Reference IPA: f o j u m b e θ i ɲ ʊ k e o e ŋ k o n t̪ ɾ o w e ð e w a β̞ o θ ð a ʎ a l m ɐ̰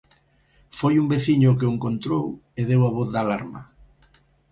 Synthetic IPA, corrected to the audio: f o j u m b e θ i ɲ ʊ k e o e ŋ k o n t̪ ɾ o w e ð e w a β̞ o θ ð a l a ɾ m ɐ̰